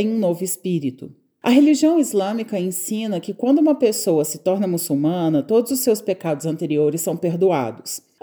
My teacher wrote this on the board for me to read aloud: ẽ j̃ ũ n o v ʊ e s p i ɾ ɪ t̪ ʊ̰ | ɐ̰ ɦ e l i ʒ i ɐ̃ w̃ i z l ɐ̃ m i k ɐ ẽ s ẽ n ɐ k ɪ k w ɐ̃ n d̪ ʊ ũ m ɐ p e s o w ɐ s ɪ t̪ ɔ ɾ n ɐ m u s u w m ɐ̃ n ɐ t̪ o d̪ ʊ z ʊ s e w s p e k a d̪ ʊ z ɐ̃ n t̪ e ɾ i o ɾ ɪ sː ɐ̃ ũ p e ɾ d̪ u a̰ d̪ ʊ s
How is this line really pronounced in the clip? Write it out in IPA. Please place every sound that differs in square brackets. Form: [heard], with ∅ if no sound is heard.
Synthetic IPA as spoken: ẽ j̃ ũ n o v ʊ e s p i ɾ [i] t̪ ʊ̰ | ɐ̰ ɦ e l i ʒ i ɐ̃ w̃ i z l ɐ̃ m i k ɐ ẽ s [ĩ] n ɐ k ɪ k w ɐ̃ n d̪ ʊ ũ m ɐ p e s o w ɐ s ɪ t̪ ɔ ɾ n ɐ m u s u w m ɐ̃ n ɐ t̪ o d̪ ʊ z ʊ s e w s p e k a d̪ ʊ z ɐ̃ n t̪ e ɾ i o ɾ ɪ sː ɐ̃ [w̃] p e ɾ d̪ u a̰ d̪ ʊ s